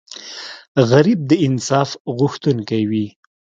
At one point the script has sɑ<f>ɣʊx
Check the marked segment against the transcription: correct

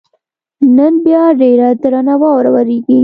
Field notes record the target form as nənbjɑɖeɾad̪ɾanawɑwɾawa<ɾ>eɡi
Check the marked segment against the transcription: correct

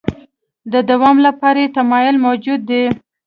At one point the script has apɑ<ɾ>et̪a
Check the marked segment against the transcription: correct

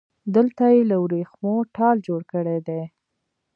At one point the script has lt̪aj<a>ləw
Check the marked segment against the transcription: incorrect: e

